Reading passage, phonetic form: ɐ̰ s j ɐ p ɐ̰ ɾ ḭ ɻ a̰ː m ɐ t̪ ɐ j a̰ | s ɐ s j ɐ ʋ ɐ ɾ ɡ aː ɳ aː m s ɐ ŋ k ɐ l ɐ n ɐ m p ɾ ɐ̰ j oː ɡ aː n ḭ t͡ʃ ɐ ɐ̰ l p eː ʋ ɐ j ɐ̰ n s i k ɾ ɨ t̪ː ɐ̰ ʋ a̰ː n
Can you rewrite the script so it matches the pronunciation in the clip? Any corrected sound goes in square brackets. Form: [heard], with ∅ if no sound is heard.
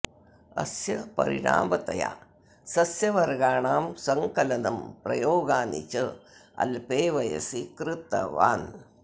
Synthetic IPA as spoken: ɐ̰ s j ɐ p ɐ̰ ɾ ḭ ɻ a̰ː m ɐ t̪ ɐ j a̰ | s ɐ s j ɐ ʋ ɐ ɾ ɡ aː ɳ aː m s ɐ ŋ k ɐ l ɐ n ɐ m p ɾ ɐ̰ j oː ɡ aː n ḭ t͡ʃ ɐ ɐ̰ l p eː ʋ ɐ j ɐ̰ [∅] s i k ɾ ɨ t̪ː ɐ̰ ʋ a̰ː n

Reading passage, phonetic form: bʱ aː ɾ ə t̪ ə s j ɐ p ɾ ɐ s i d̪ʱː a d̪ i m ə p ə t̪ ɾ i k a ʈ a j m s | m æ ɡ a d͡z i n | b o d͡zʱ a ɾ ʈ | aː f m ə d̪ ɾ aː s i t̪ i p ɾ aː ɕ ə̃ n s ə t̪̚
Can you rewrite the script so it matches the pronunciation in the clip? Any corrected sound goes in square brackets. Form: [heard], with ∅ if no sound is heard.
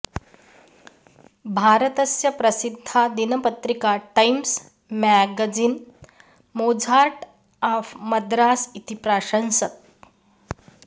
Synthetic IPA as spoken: bʱ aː ɾ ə t̪ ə s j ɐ p ɾ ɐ s i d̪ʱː a d̪ i [n] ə p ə t̪ ɾ i k a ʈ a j m s | m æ ɡ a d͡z i n | [m] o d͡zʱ a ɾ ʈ | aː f m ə d̪ ɾ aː s i t̪ i p ɾ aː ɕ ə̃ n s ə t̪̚

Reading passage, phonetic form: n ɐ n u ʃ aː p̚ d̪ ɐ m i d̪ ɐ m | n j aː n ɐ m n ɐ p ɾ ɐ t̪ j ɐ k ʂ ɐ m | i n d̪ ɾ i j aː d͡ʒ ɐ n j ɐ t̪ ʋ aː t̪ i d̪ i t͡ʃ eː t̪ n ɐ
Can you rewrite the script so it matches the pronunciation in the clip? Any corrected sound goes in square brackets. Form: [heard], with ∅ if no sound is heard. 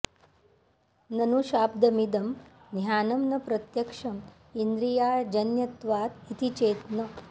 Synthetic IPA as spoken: n ɐ n u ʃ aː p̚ d̪ ɐ m i d̪ ɐ m | n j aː n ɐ m n ɐ p ɾ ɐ t̪ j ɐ k ʂ ɐ m | i n d̪ ɾ i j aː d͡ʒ ɐ n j ɐ t̪ ʋ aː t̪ i [t̪] i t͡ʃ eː t̪ n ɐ

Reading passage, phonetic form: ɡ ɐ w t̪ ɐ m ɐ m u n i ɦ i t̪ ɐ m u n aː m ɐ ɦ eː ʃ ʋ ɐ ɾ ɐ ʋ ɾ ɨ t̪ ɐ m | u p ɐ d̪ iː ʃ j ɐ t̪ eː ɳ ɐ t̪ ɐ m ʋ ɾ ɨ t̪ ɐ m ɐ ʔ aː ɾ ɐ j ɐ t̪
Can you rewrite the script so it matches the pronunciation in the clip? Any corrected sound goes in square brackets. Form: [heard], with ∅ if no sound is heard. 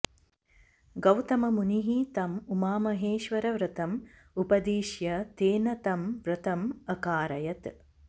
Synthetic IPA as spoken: ɡ ɐ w t̪ ɐ m ɐ m u n i ɦ i t̪ ɐ m u [m] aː m ɐ ɦ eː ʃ ʋ ɐ ɾ ɐ ʋ ɾ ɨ t̪ ɐ m | u p ɐ d̪ iː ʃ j ɐ t̪ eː [n] ɐ t̪ ɐ m ʋ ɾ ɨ t̪ ɐ m ɐ [k] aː ɾ ɐ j ɐ t̪

